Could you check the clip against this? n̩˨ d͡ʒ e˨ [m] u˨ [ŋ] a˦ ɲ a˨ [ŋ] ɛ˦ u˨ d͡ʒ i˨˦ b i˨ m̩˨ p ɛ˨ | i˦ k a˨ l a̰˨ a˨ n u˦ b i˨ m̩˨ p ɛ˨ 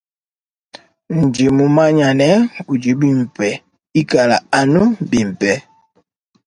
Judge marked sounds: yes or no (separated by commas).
yes, no, no